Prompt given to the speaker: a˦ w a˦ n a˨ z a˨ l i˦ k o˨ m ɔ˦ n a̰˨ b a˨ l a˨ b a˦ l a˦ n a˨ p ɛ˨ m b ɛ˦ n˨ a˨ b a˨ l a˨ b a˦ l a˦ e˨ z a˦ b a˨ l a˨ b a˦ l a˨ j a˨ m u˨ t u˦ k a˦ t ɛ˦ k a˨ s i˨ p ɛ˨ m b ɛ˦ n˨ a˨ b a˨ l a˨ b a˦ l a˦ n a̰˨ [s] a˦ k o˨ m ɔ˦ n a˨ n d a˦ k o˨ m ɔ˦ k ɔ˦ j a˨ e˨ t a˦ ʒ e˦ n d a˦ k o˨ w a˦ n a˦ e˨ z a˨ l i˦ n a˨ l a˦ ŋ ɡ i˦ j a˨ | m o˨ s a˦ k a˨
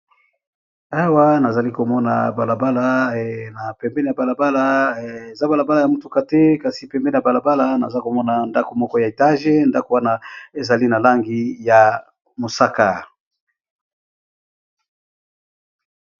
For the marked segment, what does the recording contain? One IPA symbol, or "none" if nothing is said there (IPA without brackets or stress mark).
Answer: z